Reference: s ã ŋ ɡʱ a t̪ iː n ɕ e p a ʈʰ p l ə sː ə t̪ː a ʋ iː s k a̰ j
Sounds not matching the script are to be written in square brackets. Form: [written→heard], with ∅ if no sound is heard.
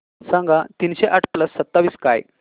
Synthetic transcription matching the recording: s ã ŋ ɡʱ a t̪ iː n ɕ e [p→ʔ] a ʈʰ p l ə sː ə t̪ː a ʋ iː s k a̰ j